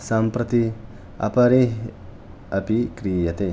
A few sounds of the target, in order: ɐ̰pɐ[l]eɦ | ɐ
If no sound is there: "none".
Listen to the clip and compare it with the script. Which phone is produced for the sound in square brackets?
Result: ɾ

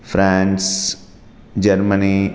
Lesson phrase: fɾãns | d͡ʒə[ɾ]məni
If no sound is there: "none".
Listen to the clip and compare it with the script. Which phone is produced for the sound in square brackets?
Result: ɾ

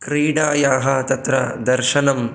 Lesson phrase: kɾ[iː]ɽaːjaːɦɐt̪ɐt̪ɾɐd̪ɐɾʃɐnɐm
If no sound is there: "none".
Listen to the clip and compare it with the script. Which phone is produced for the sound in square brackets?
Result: iː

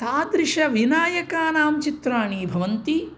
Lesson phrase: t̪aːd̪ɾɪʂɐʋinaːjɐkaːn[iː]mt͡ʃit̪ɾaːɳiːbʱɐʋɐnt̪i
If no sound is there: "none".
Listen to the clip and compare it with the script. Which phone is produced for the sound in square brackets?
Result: aː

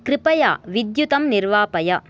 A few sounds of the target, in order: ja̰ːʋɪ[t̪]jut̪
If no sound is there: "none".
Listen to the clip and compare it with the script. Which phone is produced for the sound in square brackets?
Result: d̪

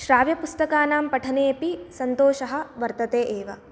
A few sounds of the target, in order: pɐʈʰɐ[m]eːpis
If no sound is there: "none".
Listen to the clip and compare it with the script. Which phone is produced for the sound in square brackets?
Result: n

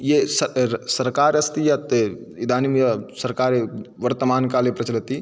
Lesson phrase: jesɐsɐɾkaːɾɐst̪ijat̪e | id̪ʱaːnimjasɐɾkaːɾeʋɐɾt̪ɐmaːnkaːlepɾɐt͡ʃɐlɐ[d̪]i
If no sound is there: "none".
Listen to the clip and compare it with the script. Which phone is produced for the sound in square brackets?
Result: t̪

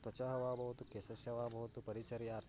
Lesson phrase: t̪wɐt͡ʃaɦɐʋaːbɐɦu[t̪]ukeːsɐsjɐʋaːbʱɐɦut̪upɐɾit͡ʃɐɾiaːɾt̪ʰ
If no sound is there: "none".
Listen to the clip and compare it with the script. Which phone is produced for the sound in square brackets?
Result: t̪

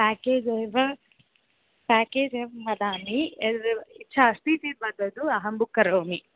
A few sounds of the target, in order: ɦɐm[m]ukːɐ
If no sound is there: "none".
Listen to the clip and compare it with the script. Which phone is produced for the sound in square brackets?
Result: b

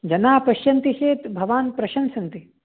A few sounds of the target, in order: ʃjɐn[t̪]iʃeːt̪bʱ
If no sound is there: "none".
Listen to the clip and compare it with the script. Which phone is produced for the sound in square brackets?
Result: t̪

